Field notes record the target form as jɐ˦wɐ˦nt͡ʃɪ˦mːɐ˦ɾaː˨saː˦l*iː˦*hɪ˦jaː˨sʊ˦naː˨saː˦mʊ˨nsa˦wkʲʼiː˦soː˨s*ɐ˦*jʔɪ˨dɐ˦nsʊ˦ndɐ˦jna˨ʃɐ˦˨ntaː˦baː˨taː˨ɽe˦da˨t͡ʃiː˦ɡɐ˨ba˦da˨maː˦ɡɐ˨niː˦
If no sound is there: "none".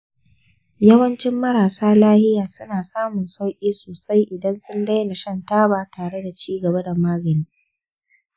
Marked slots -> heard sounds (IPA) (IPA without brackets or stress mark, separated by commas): aː˦, a˦